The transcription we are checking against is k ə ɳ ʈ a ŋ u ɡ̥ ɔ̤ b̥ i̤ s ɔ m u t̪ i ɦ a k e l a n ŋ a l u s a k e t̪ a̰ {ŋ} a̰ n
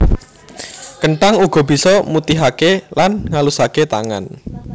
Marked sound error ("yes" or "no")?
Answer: no